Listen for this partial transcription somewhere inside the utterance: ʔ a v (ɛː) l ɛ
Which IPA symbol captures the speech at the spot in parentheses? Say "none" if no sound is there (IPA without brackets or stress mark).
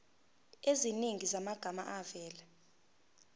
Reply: ɛː